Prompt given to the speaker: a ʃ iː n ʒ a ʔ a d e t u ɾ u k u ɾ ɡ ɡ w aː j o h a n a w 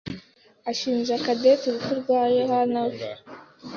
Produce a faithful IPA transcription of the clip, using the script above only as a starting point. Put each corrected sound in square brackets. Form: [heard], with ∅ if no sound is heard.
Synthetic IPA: a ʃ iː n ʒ a [k] a d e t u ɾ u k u ɾ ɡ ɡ w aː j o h a n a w